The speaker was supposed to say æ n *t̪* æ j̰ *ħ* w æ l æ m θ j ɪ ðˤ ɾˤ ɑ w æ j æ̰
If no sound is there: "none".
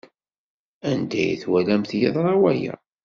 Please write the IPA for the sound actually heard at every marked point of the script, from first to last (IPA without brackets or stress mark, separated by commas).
d̪, θ